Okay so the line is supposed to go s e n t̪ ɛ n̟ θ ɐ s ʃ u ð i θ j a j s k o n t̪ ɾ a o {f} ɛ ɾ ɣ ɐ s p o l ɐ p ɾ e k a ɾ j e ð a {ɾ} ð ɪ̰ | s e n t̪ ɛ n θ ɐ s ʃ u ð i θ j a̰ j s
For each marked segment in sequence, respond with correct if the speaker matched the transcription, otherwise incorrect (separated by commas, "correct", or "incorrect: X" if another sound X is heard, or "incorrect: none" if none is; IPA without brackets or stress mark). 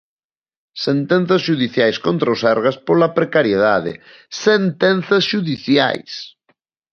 incorrect: s, incorrect: none